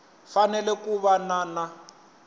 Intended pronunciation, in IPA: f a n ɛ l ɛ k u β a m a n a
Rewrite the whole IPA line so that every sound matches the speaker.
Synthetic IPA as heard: f a n ɛ l ɛ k u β a n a n a

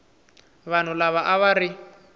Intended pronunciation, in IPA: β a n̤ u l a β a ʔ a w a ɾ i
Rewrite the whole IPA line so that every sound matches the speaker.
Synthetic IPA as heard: β a n̤ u l a β a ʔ a β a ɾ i

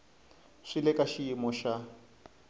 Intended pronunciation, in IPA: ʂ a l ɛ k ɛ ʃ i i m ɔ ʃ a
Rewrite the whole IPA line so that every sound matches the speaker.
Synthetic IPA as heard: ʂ i l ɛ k a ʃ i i m ɔ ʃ a

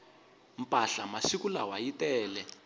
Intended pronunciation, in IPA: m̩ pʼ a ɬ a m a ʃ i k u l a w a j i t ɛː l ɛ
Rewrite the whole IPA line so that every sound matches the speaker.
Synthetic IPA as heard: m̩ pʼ a ɬ a m a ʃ i k u l a w a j i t ɛː l ɛ

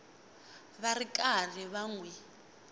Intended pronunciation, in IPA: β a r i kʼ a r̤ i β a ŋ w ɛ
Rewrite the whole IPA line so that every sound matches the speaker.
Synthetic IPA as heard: β a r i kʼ a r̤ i β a ŋ w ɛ

